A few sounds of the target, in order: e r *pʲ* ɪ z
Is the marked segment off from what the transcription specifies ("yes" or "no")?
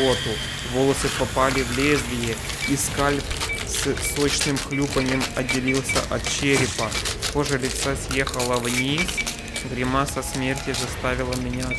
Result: yes